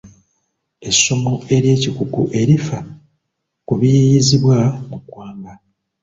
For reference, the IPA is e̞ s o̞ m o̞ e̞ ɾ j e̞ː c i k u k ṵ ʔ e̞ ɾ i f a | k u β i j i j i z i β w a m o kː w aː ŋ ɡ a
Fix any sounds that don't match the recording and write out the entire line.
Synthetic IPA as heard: e̞ s o̞ m o̞ e̞ ɾ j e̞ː c i k u k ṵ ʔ e̞ ɾ i f a | k u β i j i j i z i β w a m u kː w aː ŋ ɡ a